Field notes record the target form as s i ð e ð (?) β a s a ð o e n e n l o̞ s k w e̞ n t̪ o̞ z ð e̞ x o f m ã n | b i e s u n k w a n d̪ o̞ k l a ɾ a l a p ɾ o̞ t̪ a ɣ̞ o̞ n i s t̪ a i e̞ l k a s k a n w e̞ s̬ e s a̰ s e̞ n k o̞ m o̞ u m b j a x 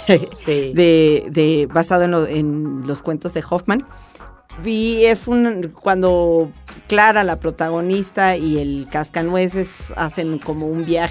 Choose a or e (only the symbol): e